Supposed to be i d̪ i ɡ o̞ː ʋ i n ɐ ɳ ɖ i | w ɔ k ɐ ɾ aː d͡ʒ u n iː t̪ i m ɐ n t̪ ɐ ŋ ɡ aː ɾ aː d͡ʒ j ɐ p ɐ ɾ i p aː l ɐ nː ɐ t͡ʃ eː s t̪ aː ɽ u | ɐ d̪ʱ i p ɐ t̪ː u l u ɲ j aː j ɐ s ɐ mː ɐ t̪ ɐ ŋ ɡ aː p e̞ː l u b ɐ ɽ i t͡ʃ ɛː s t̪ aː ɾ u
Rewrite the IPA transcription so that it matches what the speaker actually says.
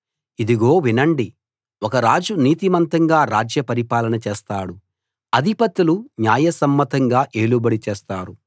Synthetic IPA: i d̪ i ɡ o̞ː ʋ i n ɐ ɳ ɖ i | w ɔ k ɐ ɾ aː d͡ʒ u n iː t̪ i m ɐ n t̪ ɐ ŋ ɡ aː ɾ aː d͡ʒ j ɐ p ɐ ɾ i p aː l ɐ n ɐ t͡ʃ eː s t̪ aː ɽ u | ɐ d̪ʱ i p ɐ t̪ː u l u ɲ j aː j ɐ s ɐ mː ɐ t̪ ɐ ŋ ɡ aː ʔ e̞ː l u b ɐ ɽ i t͡ʃ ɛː s t̪ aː ɾ u